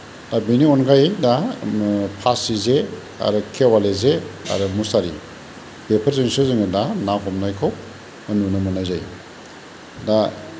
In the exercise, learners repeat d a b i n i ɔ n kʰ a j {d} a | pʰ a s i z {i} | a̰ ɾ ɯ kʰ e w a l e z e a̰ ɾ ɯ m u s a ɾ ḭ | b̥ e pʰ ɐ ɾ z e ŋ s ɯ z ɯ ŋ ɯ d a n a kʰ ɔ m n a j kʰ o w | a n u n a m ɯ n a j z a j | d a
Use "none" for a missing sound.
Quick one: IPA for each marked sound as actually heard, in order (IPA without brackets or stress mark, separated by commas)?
d, e